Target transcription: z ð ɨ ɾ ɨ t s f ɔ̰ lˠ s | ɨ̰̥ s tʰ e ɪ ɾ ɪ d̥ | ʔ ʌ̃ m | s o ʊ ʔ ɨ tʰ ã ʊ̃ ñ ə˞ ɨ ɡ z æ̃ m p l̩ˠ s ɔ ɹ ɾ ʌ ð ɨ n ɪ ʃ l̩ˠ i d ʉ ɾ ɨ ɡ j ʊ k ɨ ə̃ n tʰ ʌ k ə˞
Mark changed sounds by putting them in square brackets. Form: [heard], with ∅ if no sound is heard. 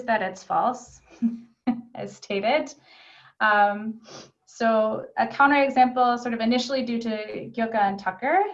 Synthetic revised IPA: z ð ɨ ɾ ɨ t s f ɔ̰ lˠ s | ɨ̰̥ s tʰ e ɪ ɾ ɪ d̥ | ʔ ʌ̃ m | s o ʊ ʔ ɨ [kʰ] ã ʊ̃ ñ ə˞ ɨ ɡ z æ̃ m p l̩ˠ s ɔ ɹ ɾ ʌ [v] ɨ n ɪ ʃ l̩ˠ i d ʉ ɾ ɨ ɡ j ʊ k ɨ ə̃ n tʰ ʌ k ə˞